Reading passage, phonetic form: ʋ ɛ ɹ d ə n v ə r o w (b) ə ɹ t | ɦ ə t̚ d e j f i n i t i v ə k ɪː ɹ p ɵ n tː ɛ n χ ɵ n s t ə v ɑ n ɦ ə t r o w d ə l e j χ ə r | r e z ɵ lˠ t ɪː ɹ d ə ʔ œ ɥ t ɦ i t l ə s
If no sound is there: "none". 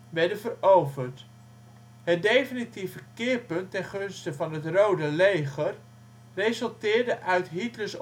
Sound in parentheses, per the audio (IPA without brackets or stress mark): v